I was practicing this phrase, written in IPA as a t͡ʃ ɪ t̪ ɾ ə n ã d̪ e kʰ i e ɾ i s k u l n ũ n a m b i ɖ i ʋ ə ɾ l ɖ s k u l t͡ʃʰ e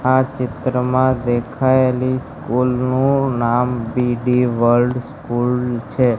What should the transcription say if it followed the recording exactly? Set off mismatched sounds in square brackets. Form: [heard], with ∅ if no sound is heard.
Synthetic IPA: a t͡ʃ ɪ t̪ ɾ ə [m] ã d̪ e kʰ [a] e [l] i s k u l n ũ n a m b i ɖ i ʋ ə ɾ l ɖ s k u l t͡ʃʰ e